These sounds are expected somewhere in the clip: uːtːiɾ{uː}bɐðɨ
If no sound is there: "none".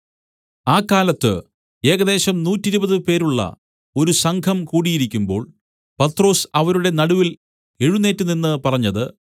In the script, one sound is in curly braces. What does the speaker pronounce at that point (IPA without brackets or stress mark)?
u